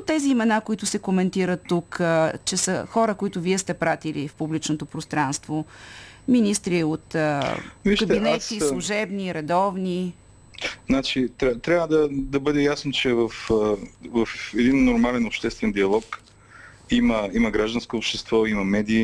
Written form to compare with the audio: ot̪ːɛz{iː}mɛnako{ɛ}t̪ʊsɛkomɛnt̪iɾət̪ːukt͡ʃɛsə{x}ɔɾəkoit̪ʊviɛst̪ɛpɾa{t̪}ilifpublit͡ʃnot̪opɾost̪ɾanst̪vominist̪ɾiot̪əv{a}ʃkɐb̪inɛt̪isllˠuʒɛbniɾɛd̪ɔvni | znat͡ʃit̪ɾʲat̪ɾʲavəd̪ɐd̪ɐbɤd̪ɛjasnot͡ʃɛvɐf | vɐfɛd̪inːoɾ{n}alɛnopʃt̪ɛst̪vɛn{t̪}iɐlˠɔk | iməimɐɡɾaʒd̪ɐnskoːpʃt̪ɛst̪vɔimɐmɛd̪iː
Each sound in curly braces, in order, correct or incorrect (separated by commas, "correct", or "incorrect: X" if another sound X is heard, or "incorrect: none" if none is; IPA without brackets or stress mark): correct, incorrect: i, correct, correct, incorrect: i, incorrect: m, incorrect: d̪